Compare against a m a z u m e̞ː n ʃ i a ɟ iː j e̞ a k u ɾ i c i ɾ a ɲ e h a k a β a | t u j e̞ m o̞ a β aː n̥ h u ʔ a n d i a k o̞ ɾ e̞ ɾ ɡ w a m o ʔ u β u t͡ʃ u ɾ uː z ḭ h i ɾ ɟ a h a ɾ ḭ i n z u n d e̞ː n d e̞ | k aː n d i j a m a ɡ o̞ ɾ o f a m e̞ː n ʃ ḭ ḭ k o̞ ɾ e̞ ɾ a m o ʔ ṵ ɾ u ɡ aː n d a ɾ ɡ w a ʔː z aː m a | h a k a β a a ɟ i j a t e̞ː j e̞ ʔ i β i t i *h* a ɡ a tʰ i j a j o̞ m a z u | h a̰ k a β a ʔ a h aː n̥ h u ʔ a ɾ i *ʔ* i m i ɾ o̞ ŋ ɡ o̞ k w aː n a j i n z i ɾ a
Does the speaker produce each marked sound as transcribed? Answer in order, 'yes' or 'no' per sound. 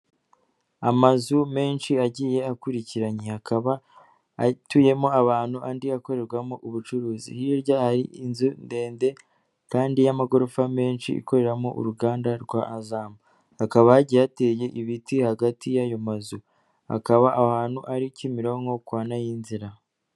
yes, no

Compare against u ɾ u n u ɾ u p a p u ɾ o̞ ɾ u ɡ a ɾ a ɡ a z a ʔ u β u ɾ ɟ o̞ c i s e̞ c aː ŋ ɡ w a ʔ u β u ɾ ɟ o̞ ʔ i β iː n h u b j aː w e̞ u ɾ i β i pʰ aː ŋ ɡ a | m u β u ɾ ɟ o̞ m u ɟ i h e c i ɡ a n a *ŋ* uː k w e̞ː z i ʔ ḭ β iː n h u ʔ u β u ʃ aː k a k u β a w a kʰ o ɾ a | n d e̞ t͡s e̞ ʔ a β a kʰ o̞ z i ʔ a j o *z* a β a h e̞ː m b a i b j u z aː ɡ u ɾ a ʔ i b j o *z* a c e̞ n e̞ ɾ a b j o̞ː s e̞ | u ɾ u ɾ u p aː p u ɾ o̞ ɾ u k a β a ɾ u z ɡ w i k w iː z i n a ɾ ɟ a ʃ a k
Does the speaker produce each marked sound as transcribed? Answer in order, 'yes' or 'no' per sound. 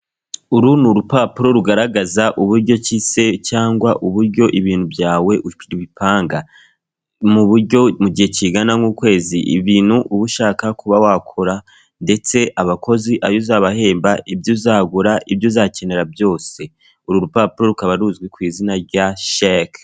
yes, yes, yes

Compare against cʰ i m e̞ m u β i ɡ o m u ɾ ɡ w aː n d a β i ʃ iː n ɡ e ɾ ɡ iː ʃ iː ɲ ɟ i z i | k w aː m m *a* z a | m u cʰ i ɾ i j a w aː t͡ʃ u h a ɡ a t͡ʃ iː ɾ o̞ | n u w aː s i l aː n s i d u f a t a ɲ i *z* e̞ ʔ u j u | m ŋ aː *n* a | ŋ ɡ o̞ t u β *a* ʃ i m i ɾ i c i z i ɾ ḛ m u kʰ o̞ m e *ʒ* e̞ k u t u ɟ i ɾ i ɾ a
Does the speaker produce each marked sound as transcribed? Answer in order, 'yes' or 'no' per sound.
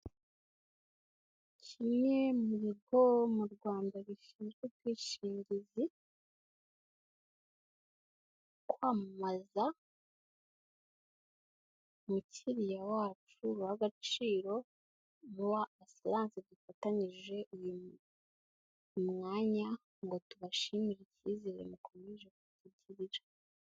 yes, no, no, yes, yes

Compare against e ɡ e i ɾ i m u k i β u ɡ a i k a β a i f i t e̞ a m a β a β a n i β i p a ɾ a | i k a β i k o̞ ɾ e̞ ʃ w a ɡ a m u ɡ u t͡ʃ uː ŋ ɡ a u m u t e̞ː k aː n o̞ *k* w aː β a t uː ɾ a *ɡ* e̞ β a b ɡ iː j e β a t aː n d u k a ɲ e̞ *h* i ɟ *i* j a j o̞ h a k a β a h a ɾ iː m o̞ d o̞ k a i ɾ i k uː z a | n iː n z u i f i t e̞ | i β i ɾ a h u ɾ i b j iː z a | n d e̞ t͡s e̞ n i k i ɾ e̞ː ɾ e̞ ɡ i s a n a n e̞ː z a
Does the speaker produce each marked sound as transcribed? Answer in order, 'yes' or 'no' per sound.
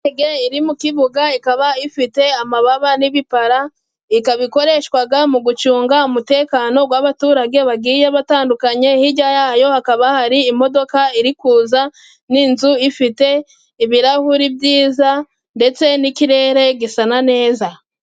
no, yes, yes, no

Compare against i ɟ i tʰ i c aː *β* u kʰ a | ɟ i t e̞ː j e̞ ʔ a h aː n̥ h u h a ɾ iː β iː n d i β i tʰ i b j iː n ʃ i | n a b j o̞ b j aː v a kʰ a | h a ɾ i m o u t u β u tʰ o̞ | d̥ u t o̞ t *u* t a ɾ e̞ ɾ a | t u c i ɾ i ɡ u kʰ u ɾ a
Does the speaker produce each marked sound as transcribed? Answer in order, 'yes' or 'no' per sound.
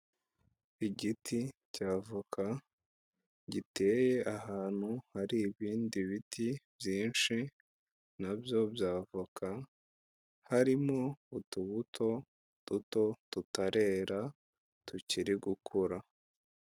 no, yes

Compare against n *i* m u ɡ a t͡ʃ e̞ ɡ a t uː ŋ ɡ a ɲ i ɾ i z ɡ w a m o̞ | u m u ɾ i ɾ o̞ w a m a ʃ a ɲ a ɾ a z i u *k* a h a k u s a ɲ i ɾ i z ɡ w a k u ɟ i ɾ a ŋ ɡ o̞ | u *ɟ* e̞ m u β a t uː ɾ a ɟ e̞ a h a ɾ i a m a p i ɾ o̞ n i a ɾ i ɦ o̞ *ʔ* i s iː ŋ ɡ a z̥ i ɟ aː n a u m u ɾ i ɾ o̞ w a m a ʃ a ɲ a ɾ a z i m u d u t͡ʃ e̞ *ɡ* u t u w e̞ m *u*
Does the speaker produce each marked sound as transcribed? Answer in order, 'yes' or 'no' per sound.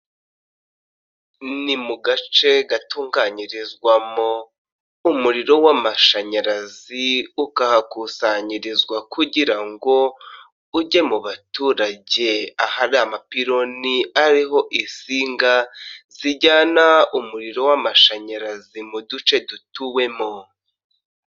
yes, yes, yes, yes, no, no

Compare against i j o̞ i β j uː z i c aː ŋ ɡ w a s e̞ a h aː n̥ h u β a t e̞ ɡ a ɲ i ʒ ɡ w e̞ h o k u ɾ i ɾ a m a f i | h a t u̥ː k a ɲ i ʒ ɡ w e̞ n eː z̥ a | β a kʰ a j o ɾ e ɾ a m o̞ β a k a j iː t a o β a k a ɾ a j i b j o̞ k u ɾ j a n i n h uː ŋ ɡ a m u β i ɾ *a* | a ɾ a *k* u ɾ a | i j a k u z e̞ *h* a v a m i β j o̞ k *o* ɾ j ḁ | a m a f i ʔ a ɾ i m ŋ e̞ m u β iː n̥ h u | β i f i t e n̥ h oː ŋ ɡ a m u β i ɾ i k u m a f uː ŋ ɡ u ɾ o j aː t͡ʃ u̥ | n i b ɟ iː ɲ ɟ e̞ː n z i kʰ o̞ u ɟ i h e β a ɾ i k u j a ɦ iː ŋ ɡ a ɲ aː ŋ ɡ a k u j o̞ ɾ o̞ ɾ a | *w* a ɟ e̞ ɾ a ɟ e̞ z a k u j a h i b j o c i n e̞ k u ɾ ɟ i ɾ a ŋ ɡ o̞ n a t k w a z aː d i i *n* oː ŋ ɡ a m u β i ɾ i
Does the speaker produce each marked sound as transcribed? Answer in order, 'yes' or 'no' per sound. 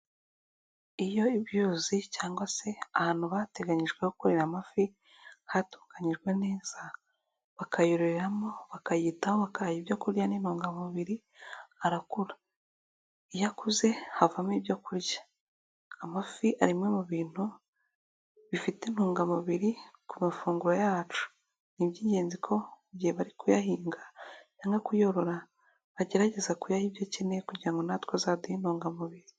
no, yes, yes, no, no, yes

